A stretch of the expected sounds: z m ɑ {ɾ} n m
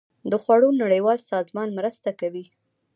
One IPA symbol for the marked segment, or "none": none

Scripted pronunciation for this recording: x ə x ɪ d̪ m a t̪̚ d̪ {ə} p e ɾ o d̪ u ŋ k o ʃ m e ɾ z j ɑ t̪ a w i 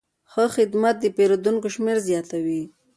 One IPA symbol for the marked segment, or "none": ə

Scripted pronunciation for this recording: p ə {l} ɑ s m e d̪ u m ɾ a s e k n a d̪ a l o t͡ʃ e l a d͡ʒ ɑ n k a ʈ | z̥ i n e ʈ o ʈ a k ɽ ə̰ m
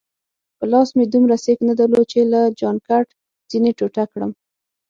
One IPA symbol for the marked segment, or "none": l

